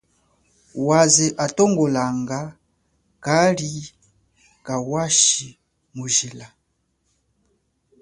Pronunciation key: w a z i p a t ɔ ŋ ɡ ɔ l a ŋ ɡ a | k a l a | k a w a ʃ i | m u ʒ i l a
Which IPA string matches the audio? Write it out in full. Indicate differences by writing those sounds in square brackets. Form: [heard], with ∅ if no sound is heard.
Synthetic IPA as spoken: w a z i [ʔ] a t ɔ ŋ ɡ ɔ l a ŋ ɡ a | k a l [i] | k a w a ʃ i | m u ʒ i l a